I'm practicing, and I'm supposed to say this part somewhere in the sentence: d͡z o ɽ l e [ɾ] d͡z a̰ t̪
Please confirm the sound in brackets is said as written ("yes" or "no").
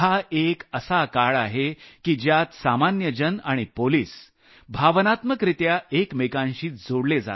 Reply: no